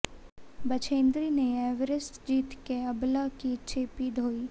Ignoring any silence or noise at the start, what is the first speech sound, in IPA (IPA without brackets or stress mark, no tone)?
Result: b